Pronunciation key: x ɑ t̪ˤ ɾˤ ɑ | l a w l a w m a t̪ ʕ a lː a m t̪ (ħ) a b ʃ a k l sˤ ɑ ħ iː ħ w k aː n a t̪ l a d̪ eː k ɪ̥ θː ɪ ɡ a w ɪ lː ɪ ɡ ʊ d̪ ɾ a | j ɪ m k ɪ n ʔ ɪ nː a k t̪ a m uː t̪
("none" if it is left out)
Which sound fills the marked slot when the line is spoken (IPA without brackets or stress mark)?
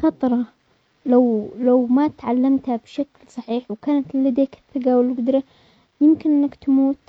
h